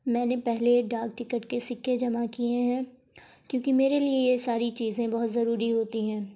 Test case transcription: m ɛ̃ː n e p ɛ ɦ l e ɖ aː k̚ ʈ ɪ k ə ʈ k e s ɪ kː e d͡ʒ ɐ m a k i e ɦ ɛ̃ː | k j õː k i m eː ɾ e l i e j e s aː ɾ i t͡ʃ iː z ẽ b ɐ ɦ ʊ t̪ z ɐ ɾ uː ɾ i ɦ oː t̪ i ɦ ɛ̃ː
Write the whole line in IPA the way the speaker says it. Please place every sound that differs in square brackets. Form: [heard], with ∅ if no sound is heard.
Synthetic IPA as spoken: m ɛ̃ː n e p ɛ ɦ l e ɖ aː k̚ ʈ ɪ k ə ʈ k e s ɪ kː e d͡ʒ ɐ m a k i e ɦ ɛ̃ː | k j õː k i m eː ɾ e l i e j e s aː ɾ i t͡ʃ iː z ẽ b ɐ ɦ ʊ t̪ z ɐ ɾ uː ɾ i ɦ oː t̪ i ɦ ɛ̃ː